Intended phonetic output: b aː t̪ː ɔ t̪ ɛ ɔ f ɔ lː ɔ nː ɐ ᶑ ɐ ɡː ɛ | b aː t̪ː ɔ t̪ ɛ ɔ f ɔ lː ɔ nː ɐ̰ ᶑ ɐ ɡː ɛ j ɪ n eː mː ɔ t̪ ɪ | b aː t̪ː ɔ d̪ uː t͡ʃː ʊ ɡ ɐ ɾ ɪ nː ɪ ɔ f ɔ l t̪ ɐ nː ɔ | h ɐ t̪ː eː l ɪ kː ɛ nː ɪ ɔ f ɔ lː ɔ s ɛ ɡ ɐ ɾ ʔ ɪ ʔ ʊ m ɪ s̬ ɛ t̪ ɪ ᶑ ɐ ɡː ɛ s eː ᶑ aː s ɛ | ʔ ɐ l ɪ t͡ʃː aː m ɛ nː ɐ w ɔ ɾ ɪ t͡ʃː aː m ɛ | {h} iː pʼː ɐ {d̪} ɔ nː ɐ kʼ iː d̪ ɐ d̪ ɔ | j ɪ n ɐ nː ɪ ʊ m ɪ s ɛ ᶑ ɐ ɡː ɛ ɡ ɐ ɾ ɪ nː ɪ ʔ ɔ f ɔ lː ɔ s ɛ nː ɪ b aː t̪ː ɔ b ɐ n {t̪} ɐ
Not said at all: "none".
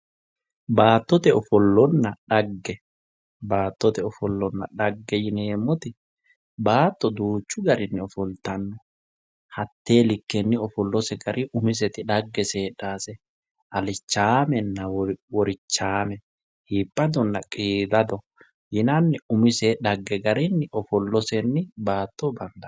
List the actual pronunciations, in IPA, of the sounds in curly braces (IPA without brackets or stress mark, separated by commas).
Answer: h, d̪, d̪